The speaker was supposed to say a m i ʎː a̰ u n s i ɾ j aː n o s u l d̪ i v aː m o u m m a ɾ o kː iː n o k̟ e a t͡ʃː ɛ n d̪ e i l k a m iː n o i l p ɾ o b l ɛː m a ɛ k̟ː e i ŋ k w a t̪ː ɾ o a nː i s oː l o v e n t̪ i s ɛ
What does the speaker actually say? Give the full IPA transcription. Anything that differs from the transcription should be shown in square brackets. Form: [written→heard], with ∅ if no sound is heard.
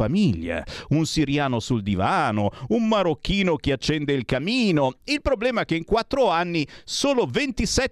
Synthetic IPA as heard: a m i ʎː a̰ u n s i ɾ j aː n o s u l d̪ i v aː [m→n] o u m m a ɾ o kː iː n o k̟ e a t͡ʃː ɛ n d̪ e i l k a m iː n o i l p ɾ o b l ɛː m a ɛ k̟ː e i ŋ k w a t̪ː ɾ o a nː i s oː l o v e n t̪ i s ɛ